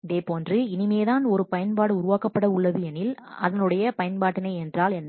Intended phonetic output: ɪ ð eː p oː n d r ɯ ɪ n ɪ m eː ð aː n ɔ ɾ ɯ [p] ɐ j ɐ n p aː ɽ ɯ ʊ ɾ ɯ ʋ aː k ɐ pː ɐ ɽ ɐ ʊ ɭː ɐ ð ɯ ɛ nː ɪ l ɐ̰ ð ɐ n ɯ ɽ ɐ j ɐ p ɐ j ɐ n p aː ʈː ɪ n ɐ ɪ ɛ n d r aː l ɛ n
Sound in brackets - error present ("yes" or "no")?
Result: no